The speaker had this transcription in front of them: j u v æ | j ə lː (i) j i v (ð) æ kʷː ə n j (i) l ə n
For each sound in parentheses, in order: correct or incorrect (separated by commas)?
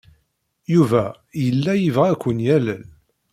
incorrect, incorrect, incorrect